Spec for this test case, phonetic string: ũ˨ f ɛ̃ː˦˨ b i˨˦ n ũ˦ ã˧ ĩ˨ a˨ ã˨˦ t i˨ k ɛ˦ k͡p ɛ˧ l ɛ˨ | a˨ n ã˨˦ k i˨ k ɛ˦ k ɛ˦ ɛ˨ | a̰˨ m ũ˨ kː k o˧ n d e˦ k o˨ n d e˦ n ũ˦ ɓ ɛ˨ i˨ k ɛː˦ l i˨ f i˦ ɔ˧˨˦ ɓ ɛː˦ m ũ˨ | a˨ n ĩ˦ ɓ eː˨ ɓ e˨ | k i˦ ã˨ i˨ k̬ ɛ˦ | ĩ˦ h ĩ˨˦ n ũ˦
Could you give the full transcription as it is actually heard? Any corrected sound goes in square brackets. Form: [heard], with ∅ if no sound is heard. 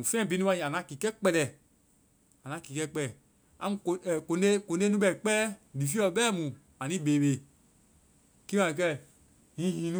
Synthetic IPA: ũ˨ f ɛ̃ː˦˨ b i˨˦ n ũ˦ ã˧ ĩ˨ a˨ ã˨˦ [k] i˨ k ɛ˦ k͡p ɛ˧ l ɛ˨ | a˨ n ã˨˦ k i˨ k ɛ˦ [k͡p] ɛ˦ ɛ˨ | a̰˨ m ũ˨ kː k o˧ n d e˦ k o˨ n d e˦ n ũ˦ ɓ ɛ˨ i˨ [k͡p] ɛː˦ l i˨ f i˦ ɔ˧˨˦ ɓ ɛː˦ m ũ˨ | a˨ n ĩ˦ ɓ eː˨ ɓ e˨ | k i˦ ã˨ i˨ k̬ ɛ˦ | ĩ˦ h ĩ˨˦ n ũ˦